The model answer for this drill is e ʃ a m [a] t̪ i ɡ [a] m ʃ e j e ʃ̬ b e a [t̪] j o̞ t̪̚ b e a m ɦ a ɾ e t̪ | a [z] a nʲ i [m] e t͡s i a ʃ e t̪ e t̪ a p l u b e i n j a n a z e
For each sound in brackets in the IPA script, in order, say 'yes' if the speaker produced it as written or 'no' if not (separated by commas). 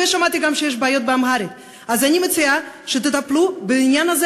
yes, yes, no, yes, yes